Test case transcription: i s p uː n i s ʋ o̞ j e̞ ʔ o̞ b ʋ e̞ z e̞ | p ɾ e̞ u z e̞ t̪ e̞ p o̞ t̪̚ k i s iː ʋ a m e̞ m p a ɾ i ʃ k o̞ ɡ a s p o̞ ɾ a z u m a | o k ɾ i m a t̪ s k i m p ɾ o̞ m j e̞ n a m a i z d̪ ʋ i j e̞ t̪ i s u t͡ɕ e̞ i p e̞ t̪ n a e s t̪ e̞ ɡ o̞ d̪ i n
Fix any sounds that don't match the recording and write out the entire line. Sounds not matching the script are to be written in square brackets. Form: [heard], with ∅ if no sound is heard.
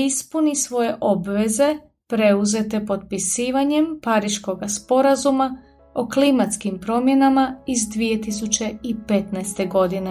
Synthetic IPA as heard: i s p [u] n i s ʋ o̞ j e̞ ʔ o̞ b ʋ e̞ z e̞ | p ɾ e̞ u z e̞ t̪ e̞ p o̞ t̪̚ [p] i s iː ʋ a [ɲ] e̞ m p a ɾ i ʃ k o̞ ɡ a s p o̞ ɾ a z u m a | o k [l] i m a t̪ s k i m p ɾ o̞ m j e̞ n a m a i z d̪ ʋ i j e̞ t̪ i s u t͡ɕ e̞ i p e̞ t̪ n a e s t̪ e̞ ɡ o̞ d̪ i n